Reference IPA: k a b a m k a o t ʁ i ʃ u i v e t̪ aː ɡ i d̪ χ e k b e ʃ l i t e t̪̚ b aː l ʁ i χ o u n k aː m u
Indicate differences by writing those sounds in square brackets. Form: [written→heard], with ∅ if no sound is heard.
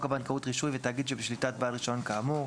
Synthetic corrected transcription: k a b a [m→n] k a [o→u] t ʁ i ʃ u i v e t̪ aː ɡ i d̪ [χ→ʃ] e [k→∅] b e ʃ l i t [e→a] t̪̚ b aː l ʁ i [χ→ʃ] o [u→o] n k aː m u